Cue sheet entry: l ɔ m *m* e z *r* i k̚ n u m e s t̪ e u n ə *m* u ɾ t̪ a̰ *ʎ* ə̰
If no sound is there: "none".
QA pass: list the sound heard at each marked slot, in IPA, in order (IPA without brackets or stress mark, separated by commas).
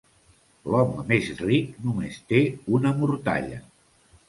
m, r, m, ʎ